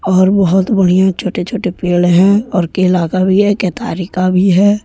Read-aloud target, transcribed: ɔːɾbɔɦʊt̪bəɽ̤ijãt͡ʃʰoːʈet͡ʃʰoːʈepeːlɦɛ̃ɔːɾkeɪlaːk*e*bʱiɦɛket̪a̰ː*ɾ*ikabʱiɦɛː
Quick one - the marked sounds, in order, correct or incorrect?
incorrect: a, correct

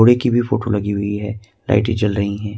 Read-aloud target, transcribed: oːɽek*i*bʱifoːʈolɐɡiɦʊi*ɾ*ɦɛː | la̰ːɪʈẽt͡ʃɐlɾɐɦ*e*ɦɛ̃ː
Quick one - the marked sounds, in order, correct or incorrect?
correct, incorrect: none, incorrect: i

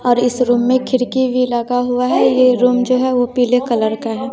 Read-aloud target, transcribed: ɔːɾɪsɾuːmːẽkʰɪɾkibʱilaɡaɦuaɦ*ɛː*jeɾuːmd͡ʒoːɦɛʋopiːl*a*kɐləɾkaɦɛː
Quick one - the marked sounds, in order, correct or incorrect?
incorrect: ɛ, incorrect: e

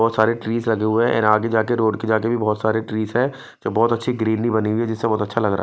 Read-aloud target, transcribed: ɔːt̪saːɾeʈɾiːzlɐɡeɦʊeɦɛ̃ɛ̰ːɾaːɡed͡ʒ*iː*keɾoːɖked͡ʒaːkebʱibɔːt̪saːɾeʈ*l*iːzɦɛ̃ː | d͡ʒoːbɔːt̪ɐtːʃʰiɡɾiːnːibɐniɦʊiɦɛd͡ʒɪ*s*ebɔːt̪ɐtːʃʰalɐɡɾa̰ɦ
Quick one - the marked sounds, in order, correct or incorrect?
incorrect: aː, incorrect: ɾ, incorrect: sː

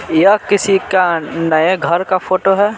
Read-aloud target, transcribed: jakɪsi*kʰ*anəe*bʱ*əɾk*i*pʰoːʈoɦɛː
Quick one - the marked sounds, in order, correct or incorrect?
incorrect: k, incorrect: ɡʱ, incorrect: a

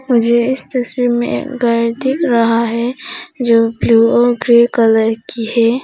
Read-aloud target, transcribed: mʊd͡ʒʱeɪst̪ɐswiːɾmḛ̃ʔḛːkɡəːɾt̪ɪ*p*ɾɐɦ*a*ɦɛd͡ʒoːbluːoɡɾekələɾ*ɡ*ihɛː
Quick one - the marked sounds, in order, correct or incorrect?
incorrect: k, correct, incorrect: k

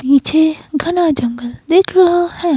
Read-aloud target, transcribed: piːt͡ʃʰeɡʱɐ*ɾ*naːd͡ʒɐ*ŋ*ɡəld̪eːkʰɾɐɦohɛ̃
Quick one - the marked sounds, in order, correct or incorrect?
incorrect: none, correct

